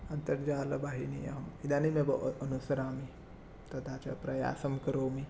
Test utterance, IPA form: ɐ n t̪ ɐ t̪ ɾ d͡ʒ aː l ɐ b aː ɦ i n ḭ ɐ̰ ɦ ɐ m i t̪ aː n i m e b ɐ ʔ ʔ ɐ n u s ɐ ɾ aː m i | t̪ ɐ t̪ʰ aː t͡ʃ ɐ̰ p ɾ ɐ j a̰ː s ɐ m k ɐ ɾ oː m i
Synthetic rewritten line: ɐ n t̪ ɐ ɾ d͡ʒ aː l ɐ b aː ɦ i n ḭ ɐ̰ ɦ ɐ m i d̪ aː n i m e b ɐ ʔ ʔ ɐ n u s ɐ ɾ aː m i | t̪ ɐ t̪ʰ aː t͡ʃ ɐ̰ p ɾ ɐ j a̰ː s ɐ m k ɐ ɾ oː m i